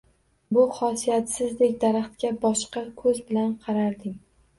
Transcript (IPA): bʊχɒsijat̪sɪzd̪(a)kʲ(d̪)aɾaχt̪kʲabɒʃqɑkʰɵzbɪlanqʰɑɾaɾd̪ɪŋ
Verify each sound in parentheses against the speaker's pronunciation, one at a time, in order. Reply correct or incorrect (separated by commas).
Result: incorrect, correct